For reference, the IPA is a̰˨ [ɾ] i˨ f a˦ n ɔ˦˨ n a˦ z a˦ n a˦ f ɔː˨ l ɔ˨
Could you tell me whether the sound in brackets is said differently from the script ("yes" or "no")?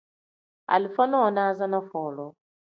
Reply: yes